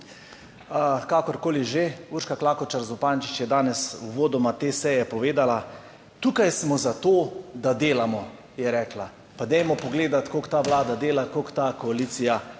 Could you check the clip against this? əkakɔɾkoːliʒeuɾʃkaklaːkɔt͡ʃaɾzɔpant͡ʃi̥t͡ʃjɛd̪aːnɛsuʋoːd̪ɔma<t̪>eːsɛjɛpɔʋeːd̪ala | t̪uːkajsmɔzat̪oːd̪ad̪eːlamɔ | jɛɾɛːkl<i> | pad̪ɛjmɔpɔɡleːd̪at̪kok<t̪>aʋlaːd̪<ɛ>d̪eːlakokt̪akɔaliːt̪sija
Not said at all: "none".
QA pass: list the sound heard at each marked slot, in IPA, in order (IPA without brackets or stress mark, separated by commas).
t̪, a, t̪, a